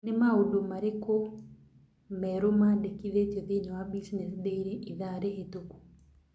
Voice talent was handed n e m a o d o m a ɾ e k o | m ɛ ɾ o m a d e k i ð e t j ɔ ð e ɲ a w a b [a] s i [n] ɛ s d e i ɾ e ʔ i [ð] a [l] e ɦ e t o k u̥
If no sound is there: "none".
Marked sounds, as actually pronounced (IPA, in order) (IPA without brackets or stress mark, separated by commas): i, n, ð, ɾ